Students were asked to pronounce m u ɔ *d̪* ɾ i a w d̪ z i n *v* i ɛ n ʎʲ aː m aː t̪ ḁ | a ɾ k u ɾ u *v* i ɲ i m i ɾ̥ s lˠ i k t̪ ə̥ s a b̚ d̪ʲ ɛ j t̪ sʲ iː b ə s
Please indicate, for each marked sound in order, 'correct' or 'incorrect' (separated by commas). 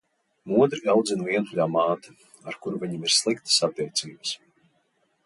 correct, correct, correct